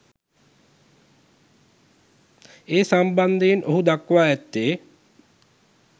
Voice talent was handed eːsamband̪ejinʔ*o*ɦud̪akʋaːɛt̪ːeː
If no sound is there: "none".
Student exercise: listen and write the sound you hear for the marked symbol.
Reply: o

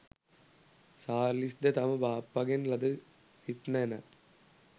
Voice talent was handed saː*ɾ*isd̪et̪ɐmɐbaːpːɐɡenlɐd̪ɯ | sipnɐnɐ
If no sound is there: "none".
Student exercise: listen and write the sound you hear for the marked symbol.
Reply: l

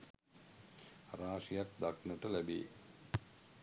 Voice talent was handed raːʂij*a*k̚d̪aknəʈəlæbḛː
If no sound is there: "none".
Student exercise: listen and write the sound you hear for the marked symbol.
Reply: a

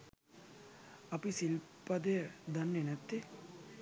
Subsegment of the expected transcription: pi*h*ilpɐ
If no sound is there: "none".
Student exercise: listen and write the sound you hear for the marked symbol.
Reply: s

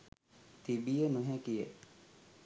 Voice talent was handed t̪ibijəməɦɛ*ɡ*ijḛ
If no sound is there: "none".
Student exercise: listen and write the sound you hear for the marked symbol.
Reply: k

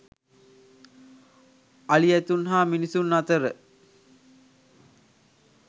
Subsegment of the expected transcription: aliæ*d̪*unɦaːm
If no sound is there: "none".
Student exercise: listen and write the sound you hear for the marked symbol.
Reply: t̪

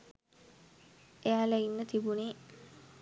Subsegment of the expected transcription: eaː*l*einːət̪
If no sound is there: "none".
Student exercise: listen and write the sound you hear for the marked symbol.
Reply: l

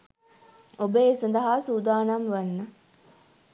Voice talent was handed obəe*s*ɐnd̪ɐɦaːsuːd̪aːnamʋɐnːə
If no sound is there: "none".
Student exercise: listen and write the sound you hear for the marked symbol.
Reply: s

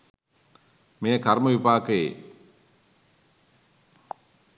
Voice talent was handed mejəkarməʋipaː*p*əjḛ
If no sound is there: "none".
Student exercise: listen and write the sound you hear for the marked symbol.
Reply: k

